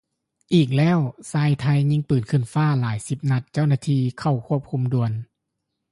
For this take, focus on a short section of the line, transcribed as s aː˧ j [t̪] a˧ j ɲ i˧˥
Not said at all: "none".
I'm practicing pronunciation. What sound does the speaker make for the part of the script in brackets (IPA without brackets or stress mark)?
t̪ʰ